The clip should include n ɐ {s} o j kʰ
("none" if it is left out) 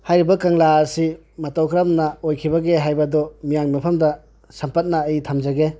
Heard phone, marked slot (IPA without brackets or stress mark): none